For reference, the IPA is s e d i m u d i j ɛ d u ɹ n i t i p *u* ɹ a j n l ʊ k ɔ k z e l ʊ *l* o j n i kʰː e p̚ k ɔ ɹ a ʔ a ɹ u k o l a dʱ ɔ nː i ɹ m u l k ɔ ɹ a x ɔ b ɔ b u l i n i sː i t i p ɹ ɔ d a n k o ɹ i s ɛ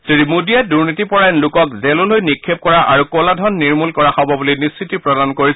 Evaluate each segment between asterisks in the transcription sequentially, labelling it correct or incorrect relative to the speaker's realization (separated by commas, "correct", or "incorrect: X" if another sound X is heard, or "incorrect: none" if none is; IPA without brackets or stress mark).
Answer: incorrect: ɔ, correct